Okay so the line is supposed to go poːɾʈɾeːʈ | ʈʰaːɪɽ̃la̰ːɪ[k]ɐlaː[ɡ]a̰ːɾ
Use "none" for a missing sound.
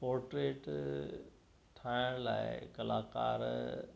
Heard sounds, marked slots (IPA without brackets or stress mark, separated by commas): k, k